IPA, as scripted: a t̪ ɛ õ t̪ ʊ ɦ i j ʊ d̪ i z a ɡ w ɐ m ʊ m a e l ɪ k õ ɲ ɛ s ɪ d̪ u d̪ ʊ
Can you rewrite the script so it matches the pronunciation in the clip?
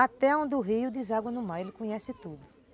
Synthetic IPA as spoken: a t̪ ɛ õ d̪ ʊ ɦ i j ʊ d̪ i z a ɡ w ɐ n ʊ m a e l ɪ k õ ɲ ɛ s ɪ t̪ u d̪ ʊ